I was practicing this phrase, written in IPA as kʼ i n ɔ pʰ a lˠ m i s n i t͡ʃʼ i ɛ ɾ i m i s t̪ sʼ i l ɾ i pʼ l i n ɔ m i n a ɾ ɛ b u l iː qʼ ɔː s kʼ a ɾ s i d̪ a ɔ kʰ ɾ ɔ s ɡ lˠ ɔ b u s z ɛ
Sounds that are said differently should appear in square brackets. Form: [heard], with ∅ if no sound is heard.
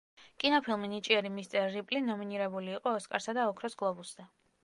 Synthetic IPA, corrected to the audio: kʼ i n ɔ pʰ [i] lˠ m i [∅] n i t͡ʃʼ i ɛ ɾ i m i s t̪ sʼ [ɛ] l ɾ i pʼ l i n ɔ m i n [i] ɾ ɛ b u l iː qʼ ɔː s kʼ a ɾ s [a] d̪ a ɔ kʰ ɾ ɔ s ɡ lˠ ɔ b u s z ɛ